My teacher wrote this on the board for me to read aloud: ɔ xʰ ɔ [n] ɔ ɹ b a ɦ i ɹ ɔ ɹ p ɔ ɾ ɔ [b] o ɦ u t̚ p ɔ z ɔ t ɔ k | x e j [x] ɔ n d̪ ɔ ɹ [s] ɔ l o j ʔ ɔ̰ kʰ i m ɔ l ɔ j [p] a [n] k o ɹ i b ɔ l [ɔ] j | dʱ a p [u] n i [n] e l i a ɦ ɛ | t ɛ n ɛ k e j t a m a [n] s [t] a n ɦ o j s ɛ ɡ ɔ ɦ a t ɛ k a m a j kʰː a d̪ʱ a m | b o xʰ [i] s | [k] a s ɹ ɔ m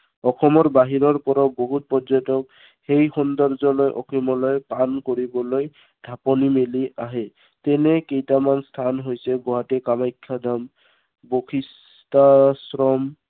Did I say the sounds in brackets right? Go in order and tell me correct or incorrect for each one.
incorrect: m, correct, correct, incorrect: z, correct, correct, incorrect: o, incorrect: ɔ, incorrect: m, correct, incorrect: tʰ, correct, incorrect: t

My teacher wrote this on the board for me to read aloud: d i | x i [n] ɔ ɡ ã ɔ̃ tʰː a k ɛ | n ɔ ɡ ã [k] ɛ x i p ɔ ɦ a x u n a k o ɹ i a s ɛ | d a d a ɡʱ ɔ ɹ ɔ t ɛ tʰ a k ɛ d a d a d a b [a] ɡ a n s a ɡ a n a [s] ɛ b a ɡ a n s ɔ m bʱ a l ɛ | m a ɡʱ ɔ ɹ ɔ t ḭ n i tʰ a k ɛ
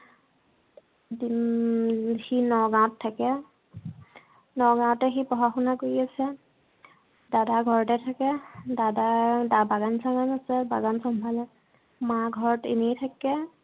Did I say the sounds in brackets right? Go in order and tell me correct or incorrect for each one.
correct, incorrect: t, correct, correct

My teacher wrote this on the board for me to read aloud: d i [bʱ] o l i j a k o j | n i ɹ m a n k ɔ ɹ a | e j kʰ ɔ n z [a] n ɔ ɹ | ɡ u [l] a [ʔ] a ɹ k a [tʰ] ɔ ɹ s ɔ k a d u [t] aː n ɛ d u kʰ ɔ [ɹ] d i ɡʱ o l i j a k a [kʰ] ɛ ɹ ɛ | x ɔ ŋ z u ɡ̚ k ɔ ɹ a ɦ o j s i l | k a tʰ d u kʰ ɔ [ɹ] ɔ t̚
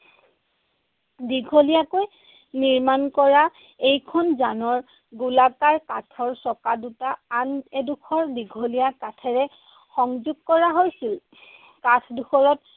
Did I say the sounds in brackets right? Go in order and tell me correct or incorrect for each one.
incorrect: ɡʱ, correct, correct, incorrect: k, correct, correct, correct, incorrect: tʰ, correct

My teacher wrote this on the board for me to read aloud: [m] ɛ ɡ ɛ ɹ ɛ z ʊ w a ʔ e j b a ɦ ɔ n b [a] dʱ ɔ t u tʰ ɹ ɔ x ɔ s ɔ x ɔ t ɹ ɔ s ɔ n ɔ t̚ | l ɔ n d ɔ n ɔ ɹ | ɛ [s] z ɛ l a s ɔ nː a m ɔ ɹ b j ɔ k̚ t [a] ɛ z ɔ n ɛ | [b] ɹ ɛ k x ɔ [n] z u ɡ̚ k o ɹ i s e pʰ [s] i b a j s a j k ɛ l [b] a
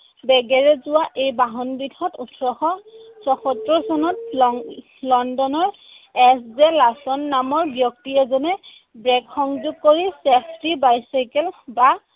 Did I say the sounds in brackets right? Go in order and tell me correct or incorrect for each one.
incorrect: b, incorrect: i, correct, incorrect: i, correct, incorrect: ŋ, incorrect: t, correct

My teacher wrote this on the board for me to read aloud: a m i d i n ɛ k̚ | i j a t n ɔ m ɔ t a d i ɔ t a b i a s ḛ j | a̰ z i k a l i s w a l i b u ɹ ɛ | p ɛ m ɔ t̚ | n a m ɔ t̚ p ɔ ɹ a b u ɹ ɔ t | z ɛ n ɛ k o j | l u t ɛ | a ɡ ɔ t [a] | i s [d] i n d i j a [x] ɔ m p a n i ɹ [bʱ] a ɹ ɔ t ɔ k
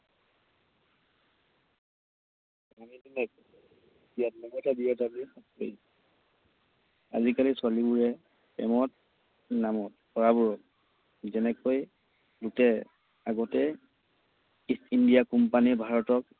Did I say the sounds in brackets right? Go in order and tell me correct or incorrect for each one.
incorrect: ɛ, incorrect: t, incorrect: k, correct

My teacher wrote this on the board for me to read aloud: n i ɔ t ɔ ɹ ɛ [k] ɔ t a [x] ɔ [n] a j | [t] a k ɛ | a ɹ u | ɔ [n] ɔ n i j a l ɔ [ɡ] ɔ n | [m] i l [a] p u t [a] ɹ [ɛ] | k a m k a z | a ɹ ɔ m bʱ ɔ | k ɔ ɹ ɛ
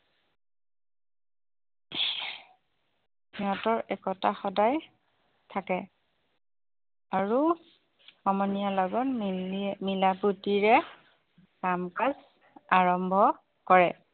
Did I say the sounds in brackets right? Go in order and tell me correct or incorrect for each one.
correct, correct, incorrect: d, incorrect: tʰ, incorrect: m, correct, correct, correct, incorrect: i, correct

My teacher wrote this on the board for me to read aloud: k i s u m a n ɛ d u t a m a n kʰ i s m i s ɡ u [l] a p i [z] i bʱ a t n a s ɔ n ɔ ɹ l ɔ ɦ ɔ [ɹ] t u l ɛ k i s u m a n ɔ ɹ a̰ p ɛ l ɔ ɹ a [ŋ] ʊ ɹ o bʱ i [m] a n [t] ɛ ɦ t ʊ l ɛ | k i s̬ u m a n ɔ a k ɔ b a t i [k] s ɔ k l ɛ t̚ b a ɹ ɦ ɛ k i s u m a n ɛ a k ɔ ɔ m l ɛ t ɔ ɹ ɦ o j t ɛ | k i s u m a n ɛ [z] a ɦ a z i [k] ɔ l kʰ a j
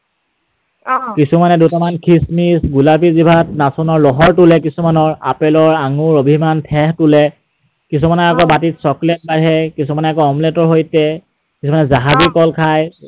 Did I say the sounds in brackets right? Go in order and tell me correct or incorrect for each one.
correct, correct, correct, correct, correct, incorrect: tʰ, incorrect: t, correct, correct

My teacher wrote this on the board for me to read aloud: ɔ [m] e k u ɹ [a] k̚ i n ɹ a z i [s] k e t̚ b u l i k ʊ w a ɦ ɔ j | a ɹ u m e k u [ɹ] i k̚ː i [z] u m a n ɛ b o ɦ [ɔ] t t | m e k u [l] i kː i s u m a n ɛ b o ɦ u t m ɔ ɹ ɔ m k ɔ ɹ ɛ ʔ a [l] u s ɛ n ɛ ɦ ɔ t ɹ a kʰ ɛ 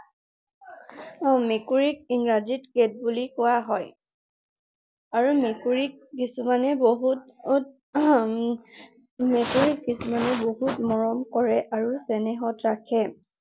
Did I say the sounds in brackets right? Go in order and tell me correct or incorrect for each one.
correct, incorrect: i, incorrect: t, correct, incorrect: s, incorrect: u, incorrect: ɹ, incorrect: ɹ

